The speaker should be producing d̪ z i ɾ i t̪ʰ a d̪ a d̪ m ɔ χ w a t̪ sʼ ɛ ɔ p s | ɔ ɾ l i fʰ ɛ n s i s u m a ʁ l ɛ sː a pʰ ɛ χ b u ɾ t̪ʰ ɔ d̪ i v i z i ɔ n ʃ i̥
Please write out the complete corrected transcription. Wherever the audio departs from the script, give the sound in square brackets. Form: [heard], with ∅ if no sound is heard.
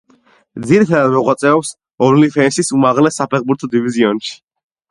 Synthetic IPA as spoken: d̪ z i ɾ i t̪ʰ a d̪ a d̪ m ɔ [ʁ] w a t̪ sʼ ɛ ɔ p s | ɔ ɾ l i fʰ ɛ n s i s u m a ʁ l ɛ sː a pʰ ɛ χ b u ɾ t̪ʰ ɔ d̪ i v i z i ɔ n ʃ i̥